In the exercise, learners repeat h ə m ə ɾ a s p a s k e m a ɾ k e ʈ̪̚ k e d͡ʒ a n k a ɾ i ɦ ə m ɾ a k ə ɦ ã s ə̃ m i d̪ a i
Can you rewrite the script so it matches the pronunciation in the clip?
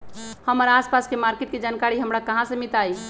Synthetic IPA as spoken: h ə m ə ɾ a s p a s k e m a ɾ k e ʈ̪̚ k e d͡ʒ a n k a ɾ i ɦ ə m ɾ a k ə ɦ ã s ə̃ m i t̪ a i